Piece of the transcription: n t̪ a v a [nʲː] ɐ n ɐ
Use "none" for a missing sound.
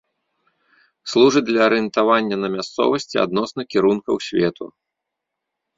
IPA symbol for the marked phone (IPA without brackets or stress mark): nʲː